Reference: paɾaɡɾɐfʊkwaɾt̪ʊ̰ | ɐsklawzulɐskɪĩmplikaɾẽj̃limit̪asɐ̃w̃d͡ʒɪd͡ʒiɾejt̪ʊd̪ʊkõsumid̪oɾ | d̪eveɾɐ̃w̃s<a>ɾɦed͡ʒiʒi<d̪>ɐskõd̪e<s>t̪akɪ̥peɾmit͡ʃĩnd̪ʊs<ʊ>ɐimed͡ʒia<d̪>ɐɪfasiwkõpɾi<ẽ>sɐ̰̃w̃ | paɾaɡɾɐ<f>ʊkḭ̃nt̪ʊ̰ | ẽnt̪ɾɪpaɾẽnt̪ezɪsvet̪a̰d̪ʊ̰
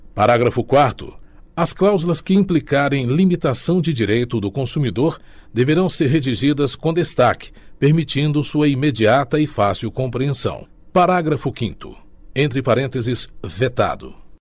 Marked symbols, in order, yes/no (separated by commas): no, yes, yes, no, no, yes, yes